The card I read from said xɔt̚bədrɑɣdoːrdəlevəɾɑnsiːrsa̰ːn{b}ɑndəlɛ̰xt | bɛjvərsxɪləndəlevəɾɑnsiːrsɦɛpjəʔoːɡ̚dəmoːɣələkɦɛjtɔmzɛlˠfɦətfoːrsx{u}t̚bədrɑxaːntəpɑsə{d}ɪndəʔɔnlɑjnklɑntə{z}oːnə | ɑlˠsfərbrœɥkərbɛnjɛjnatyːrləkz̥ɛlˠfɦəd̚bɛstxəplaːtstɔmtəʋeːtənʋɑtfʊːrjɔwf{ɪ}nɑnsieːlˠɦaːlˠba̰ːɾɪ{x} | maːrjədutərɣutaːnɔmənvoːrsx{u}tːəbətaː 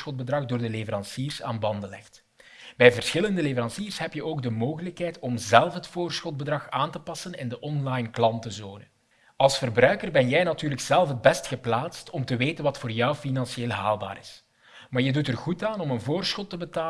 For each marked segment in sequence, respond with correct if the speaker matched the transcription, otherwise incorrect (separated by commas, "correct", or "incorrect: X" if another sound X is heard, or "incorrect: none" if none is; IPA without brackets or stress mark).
correct, incorrect: ɔ, incorrect: n, correct, incorrect: i, incorrect: s, incorrect: ɔ